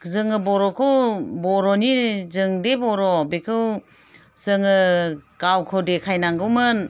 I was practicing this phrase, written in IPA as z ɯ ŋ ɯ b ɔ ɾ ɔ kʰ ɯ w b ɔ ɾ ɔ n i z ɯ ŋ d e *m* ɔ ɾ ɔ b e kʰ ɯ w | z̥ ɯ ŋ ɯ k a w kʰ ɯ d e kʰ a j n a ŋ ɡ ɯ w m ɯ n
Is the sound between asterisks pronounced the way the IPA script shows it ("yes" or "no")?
no